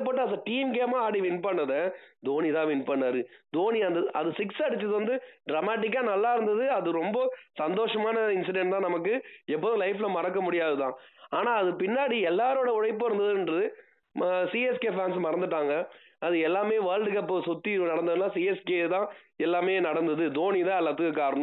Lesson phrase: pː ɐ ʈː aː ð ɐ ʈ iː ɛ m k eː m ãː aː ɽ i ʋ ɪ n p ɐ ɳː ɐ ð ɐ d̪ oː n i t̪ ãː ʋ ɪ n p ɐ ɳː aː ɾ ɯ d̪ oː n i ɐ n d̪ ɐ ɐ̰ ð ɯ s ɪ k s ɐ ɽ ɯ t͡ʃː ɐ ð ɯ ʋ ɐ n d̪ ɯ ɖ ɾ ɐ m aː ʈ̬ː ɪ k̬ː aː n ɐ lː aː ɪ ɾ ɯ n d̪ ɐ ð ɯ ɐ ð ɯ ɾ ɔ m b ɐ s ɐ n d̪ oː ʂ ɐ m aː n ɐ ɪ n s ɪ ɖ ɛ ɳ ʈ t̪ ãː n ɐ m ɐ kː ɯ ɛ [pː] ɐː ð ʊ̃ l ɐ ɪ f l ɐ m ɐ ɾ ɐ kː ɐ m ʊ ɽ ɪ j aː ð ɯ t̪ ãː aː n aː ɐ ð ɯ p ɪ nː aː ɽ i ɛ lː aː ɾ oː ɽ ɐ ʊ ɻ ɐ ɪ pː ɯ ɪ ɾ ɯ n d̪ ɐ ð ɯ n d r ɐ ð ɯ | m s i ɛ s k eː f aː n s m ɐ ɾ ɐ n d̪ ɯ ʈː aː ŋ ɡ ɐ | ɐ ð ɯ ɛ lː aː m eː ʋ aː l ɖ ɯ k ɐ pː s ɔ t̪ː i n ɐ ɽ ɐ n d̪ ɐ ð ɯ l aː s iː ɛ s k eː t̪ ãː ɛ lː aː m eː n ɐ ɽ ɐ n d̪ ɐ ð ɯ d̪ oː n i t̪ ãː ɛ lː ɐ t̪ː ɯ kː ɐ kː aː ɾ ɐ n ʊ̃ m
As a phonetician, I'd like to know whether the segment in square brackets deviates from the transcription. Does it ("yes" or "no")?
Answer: no